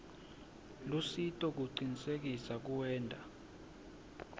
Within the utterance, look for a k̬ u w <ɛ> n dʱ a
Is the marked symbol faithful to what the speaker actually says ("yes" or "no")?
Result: no